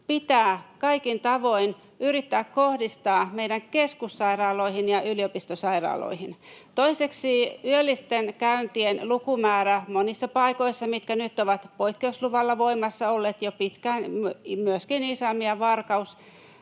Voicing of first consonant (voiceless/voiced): voiceless